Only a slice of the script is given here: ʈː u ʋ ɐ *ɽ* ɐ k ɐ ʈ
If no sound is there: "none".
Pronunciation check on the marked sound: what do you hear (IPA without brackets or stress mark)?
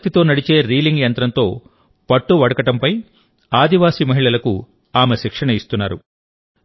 ɽ